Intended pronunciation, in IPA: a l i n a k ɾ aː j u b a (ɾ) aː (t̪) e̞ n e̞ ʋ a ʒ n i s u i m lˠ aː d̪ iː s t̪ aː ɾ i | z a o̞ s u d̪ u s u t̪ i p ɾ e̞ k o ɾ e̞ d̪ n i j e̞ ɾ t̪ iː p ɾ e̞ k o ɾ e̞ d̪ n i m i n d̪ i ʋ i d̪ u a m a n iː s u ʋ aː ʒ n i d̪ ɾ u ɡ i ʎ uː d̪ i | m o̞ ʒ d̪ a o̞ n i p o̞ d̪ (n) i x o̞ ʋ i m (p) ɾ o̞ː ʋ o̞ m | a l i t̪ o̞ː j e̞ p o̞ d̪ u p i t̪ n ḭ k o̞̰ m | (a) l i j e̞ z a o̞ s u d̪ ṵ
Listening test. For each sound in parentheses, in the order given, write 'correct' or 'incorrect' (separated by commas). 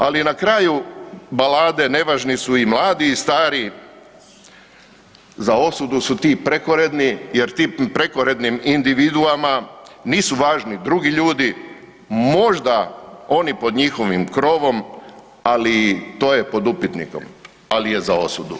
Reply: incorrect, incorrect, incorrect, incorrect, correct